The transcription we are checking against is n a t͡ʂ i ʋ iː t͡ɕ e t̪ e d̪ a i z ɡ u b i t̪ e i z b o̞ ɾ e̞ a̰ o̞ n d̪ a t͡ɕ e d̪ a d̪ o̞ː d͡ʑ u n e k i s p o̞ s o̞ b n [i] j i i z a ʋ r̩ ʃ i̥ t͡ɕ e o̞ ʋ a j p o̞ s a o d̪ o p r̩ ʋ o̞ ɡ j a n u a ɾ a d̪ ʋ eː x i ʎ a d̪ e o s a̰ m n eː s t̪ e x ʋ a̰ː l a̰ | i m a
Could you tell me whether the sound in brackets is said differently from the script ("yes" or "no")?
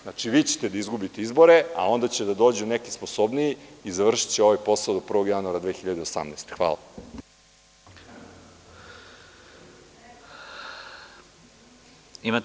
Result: no